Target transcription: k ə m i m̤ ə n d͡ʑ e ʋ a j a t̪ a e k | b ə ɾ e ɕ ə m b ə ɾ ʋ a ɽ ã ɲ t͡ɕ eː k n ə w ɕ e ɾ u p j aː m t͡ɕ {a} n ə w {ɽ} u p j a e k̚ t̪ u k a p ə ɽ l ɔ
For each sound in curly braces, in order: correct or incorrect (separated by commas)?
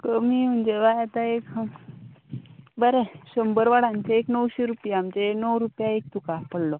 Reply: incorrect, incorrect